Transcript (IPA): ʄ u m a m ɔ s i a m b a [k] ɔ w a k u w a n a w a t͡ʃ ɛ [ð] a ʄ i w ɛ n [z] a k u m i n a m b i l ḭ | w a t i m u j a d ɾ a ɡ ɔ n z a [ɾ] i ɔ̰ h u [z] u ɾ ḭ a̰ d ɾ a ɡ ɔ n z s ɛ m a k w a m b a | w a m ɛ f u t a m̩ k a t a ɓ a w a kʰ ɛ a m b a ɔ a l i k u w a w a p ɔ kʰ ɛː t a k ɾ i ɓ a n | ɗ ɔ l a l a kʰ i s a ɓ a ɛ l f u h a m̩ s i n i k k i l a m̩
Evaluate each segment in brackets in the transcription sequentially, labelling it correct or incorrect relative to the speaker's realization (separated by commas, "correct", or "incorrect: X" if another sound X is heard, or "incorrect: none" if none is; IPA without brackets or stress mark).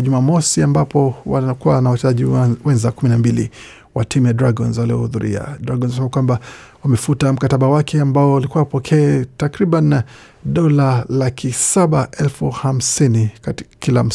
incorrect: p, incorrect: z, correct, incorrect: l, incorrect: ð